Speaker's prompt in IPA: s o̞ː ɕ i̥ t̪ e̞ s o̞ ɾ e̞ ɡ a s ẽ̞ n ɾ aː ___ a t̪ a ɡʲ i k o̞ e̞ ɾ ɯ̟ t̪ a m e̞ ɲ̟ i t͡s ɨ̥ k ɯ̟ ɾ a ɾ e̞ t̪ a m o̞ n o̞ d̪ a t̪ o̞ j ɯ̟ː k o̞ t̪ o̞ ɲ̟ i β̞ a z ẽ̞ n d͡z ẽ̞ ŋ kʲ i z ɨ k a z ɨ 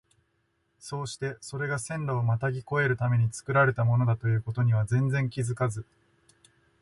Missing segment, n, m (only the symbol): m